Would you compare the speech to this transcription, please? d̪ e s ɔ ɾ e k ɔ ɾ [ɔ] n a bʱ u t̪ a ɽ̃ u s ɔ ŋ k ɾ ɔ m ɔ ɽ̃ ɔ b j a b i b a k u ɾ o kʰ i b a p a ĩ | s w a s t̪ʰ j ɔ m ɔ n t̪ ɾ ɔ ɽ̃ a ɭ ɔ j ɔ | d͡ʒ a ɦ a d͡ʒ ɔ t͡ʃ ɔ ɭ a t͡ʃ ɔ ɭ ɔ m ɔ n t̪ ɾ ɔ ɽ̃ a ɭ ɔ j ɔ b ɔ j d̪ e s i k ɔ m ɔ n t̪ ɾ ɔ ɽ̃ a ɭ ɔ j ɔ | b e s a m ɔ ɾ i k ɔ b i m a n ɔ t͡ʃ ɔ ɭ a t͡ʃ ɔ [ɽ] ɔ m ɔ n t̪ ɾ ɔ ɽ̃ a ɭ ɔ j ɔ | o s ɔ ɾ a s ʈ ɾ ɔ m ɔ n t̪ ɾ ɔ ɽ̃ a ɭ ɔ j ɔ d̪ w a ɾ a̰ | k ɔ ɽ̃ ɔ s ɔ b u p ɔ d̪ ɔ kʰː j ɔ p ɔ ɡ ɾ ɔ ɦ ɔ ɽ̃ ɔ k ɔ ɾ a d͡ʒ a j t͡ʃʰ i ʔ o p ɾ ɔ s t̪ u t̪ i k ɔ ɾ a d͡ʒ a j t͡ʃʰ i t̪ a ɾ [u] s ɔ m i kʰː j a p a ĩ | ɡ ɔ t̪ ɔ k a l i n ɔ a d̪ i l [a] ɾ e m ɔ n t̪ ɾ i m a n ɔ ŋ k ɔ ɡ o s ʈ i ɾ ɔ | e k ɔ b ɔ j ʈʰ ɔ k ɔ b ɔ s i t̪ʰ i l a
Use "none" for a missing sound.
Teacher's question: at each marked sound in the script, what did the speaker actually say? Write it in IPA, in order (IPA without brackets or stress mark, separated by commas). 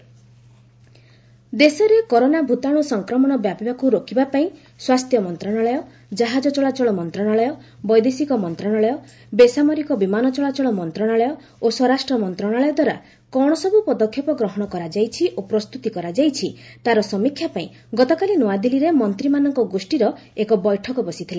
o, ɭ, ɔ, i